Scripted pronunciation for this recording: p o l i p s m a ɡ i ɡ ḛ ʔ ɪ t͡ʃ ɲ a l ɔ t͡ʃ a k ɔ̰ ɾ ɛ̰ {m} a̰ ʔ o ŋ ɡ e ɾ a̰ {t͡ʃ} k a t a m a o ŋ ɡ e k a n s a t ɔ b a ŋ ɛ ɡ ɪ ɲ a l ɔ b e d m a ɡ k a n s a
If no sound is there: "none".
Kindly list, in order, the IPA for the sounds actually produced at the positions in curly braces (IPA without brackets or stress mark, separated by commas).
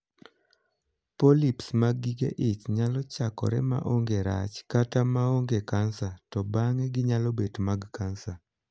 m, t͡ʃ